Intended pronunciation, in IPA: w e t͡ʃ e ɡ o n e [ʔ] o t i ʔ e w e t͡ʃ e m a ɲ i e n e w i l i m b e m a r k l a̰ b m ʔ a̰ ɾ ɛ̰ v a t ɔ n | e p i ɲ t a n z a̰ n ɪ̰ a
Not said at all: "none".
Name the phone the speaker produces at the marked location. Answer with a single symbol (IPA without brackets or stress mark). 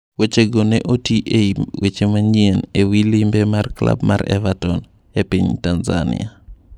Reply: ʔ